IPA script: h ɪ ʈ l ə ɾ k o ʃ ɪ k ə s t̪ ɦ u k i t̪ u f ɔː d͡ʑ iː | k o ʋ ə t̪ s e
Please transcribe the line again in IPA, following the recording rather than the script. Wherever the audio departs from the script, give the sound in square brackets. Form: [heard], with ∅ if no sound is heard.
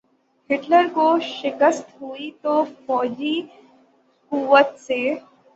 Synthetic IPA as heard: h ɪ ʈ l ə ɾ k o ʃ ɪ k ə s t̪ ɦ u [∅] i t̪ [o] f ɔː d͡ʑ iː | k [u] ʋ ə t̪ s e